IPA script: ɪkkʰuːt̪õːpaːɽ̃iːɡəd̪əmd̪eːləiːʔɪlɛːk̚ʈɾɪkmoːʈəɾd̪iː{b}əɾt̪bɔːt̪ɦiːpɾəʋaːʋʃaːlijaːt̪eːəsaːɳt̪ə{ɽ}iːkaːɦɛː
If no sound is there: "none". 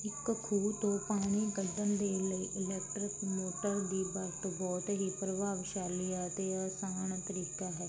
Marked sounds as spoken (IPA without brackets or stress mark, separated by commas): b, ɾ